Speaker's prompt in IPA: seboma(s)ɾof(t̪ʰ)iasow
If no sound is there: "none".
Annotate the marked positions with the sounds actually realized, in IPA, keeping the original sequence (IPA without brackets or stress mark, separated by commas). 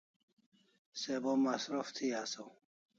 s, t̪ʰ